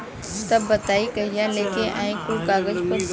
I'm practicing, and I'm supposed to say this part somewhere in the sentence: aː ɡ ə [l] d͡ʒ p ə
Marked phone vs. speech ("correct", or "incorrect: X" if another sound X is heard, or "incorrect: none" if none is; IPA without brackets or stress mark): incorrect: none